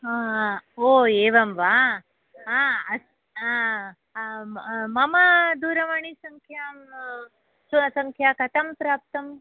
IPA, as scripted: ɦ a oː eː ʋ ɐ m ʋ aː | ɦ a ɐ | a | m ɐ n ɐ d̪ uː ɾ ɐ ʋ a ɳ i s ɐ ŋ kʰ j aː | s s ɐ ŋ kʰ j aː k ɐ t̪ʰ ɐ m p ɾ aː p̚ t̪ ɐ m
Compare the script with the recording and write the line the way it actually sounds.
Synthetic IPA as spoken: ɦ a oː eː ʋ ɐ m ʋ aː | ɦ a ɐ | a | m ɐ m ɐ d̪ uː ɾ ɐ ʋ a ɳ i s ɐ ŋ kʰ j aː | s s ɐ ŋ kʰ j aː k ɐ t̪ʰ ɐ m p ɾ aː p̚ t̪ ɐ m

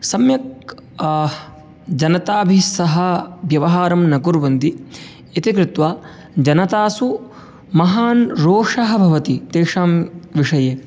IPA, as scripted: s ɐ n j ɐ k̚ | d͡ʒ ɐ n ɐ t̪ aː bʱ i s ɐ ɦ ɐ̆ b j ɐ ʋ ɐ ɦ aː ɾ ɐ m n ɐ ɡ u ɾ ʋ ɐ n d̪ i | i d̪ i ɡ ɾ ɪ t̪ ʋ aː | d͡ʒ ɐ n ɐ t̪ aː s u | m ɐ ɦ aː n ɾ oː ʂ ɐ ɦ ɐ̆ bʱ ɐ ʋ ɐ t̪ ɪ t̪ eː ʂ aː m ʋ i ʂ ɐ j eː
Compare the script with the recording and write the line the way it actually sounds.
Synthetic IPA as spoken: s ɐ m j ɐ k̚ | d͡ʒ ɐ n ɐ t̪ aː bʱ i s ɐ ɦ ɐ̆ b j ɐ ʋ ɐ ɦ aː ɾ ɐ m n ɐ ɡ u ɾ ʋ ɐ n d̪ i | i t̪ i k ɾ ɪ t̪ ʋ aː | d͡ʒ ɐ n ɐ t̪ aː s u | m ɐ ɦ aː n ɾ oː ʂ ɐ ɦ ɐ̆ bʱ ɐ ʋ ɐ t̪ i t̪ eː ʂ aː m ʋ i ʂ ɐ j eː

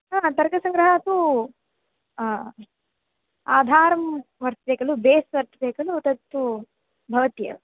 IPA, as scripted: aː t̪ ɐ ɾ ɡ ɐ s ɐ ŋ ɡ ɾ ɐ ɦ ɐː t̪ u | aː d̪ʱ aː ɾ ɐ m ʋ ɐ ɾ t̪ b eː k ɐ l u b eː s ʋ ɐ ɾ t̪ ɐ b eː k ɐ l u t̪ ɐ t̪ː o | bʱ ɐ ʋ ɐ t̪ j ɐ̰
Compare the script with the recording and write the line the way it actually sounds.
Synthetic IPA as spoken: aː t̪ ɐ ɾ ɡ ɐ s ɐ ŋ ɡ ɾ ɐ ɦ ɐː t̪ u | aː d̪ʱ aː ɾ ɐ m ʋ ɐ ɾ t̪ b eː k ɐ l u b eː s ʋ ɐ ɾ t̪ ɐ b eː k ɐ l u t̪ ɐ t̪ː u | bʱ ɐ ʋ ɐ t̪ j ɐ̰

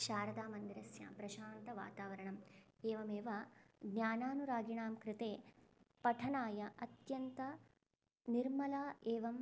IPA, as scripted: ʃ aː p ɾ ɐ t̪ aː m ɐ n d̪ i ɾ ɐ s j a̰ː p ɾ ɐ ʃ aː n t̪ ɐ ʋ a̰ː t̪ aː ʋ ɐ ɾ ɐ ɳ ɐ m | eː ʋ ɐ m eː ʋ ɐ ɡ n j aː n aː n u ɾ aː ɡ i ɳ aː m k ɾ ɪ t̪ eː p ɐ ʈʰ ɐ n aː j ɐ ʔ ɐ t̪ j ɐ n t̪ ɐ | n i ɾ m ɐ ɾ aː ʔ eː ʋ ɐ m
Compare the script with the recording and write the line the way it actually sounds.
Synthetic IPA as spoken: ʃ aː ɾ ɐ d̪ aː m ɐ n d̪ i ɾ ɐ s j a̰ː p ɾ ɐ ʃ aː n t̪ ɐ ʋ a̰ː t̪ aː ʋ ɐ ɾ ɐ ɳ ɐ m | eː ʋ ɐ m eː ʋ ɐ ɡ n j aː n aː n u ɾ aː ɡ i ɳ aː m k ɾ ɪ t̪ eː p ɐ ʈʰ ɐ n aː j ɐ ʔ ɐ t̪ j ɐ n t̪ ɐ | n i ɾ m ɐ l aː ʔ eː ʋ ɐ m

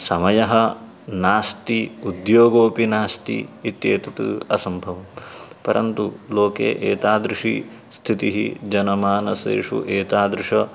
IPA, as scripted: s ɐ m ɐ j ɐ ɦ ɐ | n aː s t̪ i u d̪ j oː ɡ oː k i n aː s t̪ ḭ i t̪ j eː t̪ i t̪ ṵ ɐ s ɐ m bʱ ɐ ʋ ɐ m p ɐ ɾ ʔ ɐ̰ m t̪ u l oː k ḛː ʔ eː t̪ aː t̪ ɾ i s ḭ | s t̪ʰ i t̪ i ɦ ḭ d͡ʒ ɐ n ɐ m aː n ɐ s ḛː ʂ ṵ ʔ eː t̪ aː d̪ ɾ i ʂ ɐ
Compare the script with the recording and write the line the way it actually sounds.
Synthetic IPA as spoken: s ɐ m ɐ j ɐ ɦ ɐ | n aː s t̪ i u d̪ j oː ɡ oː p i n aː s t̪ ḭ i t̪ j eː t̪ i t̪ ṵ ɐ s ɐ m bʱ ɐ ʋ ɐ m p ɐ ɾ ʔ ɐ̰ n t̪ u l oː k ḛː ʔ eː t̪ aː d̪ ɾ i ʂ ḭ | s t̪ʰ i t̪ i ɦ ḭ d͡ʒ ɐ n ɐ m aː n ɐ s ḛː ʂ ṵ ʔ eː t̪ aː d̪ ɾ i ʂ ɐ

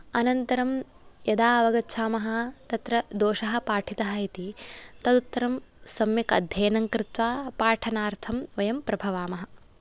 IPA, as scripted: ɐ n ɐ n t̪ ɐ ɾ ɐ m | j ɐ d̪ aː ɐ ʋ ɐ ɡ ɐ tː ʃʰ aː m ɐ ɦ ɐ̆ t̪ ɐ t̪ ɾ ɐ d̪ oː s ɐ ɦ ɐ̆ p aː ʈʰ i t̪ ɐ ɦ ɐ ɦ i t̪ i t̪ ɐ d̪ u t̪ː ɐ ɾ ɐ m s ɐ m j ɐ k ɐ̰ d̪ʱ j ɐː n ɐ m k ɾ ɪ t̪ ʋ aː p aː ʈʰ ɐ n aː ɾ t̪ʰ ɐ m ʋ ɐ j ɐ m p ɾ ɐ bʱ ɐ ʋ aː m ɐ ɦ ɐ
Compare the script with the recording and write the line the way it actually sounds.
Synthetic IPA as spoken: ɐ n ɐ n t̪ ɐ ɾ ɐ m | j ɐ d̪ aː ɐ ʋ ɐ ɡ ɐ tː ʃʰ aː m ɐ ɦ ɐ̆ t̪ ɐ t̪ ɾ ɐ d̪ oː ʃ ɐ ɦ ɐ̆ p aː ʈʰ i t̪ ɐ ɦ ɐ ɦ i t̪ i t̪ ɐ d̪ u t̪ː ɐ ɾ ɐ m s ɐ m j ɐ k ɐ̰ d̪ʱ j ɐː n ɐ ŋ k ɾ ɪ t̪ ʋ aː p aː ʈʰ ɐ n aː ɾ t̪ʰ ɐ m ʋ ɐ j ɐ m p ɾ ɐ bʱ ɐ ʋ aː m ɐ ɦ ɐ

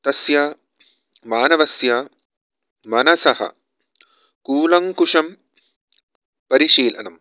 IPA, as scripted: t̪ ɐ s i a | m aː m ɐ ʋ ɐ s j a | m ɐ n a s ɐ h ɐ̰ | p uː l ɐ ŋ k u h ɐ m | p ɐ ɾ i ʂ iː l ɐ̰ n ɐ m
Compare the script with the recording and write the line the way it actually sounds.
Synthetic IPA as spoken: t̪ ɐ s j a | m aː n ɐ ʋ ɐ s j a | m ɐ n ɐ s ɐ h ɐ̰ | k uː l ɐ ŋ k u ʂ ɐ m | p ɐ ɾ i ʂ iː l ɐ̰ n ɐ m

